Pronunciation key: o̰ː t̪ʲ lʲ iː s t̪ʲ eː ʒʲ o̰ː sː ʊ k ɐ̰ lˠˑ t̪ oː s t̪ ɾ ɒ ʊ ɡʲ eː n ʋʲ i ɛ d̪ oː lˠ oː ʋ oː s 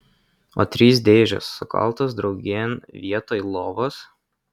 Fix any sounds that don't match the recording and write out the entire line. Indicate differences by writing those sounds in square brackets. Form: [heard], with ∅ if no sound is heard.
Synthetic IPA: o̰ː t̪ʲ [ɾʲ] iː s [d̪ʲ] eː ʒʲ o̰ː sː ʊ k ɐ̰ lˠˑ t̪ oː s [d̪] ɾ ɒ ʊ ɡʲ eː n ʋʲ i ɛ [t̪] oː lˠ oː ʋ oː s